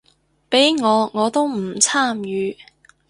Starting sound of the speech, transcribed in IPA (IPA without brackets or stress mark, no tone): p